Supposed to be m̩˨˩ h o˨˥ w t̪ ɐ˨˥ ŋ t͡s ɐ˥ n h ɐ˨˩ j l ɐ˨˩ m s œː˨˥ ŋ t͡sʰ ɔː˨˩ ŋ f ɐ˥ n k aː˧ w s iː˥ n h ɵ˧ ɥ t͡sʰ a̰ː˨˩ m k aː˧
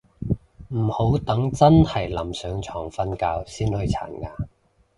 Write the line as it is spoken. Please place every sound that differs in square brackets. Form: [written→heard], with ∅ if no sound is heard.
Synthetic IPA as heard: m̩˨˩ h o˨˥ w t̪ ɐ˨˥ ŋ t͡s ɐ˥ n h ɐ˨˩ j l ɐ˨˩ m s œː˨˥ ŋ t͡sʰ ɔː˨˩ ŋ f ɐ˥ n k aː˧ w s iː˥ n h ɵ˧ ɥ t͡sʰ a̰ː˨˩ [m→n] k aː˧